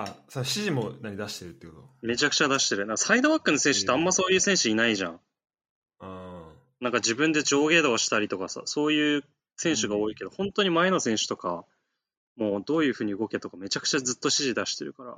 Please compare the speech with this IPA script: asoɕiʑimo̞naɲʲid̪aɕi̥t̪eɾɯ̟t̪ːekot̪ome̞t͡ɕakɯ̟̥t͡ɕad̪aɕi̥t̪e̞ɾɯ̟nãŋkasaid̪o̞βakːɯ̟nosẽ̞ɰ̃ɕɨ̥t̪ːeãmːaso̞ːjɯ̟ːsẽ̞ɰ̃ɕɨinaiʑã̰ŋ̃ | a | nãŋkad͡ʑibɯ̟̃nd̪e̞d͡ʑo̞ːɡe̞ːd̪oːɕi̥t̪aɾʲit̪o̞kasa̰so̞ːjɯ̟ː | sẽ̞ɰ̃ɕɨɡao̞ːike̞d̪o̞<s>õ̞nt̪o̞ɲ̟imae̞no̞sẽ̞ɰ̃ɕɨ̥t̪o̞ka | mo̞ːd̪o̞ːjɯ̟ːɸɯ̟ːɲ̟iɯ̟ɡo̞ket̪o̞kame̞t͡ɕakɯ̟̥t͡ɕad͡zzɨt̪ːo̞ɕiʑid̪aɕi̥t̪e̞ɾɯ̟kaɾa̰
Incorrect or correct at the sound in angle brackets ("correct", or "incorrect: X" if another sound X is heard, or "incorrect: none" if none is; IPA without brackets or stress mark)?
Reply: incorrect: h